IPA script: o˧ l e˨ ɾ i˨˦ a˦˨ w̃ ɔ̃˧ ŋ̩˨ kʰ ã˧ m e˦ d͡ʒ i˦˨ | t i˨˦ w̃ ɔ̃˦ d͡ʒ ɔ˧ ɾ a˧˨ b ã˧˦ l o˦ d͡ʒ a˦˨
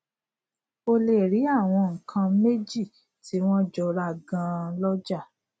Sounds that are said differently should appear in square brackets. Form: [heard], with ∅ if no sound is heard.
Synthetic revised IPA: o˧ l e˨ ɾ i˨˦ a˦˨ w̃ ɔ̃˧ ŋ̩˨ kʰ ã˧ m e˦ d͡ʒ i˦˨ | t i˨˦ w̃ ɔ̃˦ d͡ʒ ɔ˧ ɾ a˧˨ [ɡ] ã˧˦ l [ɔ˦] d͡ʒ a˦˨